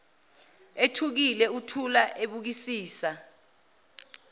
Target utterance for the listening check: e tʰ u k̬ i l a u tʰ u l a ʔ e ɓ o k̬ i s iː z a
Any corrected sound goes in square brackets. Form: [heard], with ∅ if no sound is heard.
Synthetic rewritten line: e tʰ u k̬ i l [ɛ] u tʰ u l a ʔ e ɓ [u] k̬ i s iː [s] a